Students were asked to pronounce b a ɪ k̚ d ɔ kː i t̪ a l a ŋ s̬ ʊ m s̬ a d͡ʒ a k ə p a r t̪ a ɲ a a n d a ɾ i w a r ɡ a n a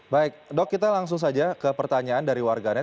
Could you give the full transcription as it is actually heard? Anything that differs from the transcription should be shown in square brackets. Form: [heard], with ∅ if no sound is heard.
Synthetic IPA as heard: b a ɪ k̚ d ɔ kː i t̪ a l a ŋ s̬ ʊ [ŋ] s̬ a d͡ʒ a k ə p [ə] r t̪ a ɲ a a n d a ɾ i w a r ɡ a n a